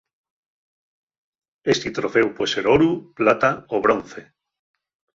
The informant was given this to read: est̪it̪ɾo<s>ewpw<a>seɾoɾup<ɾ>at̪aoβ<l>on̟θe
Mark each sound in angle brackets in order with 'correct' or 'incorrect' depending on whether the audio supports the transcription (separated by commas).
incorrect, incorrect, incorrect, incorrect